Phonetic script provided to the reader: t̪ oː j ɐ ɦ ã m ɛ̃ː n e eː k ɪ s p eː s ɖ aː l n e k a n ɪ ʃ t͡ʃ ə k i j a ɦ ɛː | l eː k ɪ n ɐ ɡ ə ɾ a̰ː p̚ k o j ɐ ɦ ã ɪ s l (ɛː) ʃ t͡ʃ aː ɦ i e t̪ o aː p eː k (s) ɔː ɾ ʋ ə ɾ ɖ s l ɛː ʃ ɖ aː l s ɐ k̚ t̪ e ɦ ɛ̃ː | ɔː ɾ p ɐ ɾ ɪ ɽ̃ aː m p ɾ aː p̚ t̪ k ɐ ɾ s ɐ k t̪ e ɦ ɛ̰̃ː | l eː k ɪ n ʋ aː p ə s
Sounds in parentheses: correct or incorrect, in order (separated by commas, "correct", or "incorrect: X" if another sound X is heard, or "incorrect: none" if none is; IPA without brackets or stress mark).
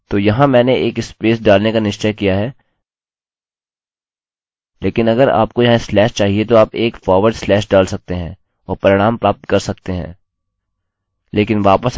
correct, incorrect: f